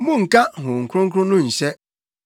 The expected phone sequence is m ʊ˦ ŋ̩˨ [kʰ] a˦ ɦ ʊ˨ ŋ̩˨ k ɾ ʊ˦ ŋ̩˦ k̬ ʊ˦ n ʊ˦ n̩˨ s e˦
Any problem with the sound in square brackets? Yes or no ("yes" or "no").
yes